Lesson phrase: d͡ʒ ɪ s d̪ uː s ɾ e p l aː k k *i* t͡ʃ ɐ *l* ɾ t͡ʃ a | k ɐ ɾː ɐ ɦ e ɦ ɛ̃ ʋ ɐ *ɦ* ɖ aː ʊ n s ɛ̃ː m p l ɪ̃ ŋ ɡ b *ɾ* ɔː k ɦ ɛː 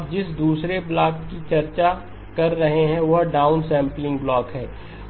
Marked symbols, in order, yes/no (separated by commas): yes, no, yes, no